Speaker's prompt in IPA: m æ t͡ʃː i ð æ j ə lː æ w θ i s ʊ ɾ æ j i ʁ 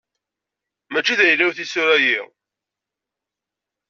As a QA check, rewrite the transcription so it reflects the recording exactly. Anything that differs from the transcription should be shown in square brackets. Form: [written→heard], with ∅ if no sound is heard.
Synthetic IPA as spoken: m æ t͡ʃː i ð æ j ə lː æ w θ i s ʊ ɾ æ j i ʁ